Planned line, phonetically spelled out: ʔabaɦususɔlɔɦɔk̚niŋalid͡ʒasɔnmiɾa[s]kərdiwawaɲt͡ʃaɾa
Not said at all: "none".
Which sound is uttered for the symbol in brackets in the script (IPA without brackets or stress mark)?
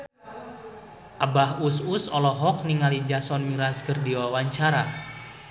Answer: s